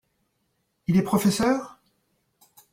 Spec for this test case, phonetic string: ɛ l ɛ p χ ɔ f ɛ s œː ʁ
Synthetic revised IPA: i l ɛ p χ ɔ f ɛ s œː ʁ